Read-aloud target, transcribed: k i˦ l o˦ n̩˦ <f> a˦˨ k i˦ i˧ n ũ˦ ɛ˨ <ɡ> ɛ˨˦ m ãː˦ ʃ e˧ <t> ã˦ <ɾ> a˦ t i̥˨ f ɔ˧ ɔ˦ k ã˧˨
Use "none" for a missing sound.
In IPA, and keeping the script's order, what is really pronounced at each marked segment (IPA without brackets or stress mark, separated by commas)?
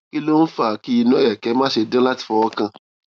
f, k, d, l